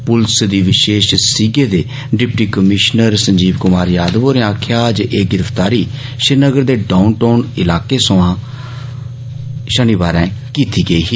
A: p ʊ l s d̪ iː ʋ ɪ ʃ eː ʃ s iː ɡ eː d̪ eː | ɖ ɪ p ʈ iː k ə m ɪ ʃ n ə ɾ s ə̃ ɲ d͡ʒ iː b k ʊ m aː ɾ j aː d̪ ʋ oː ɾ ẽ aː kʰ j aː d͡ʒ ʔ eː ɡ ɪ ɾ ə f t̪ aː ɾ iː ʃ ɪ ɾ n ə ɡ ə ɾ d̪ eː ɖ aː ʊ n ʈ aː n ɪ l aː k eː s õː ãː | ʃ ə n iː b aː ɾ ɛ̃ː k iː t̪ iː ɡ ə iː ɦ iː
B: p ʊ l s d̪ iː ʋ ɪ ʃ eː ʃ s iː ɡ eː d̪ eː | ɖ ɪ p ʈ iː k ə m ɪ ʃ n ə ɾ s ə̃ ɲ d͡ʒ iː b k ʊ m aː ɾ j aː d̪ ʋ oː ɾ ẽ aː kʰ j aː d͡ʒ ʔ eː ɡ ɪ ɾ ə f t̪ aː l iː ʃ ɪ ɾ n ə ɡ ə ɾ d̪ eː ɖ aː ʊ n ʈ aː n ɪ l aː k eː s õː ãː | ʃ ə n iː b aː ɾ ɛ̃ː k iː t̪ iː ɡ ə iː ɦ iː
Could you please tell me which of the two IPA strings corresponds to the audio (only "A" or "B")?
A